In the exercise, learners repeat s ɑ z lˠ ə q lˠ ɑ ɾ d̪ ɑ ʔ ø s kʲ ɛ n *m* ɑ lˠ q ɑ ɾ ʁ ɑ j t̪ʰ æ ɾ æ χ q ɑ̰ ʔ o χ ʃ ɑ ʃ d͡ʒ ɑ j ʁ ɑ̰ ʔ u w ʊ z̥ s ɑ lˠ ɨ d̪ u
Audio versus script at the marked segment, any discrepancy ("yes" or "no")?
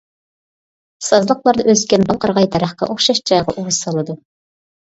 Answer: yes